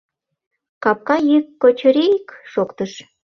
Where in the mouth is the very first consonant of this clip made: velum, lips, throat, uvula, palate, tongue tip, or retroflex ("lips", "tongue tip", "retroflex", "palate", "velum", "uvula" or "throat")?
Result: velum